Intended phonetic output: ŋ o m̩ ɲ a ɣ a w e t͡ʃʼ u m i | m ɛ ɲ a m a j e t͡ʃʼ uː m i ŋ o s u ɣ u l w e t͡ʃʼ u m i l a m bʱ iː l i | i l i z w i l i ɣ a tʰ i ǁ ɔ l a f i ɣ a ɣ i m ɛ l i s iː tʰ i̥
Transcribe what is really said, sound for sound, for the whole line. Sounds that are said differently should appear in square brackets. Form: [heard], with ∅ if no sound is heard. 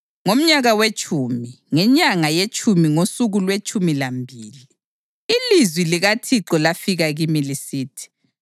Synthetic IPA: ŋ o m̩ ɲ a ɣ a w e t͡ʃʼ u m i | [ŋ] ɛ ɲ a [ŋ] a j e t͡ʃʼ [u] m i ŋ o s u ɣ u l w e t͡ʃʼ u m i l a m bʱ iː l i | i l i z w i l i ɣ a tʰ i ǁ ɔ l a f i ɣ a ɣ i m [i] l i s iː tʰ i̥